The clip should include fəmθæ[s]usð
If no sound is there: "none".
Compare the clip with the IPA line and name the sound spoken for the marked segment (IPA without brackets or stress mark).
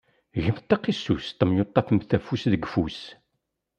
f